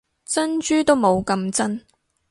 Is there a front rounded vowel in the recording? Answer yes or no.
yes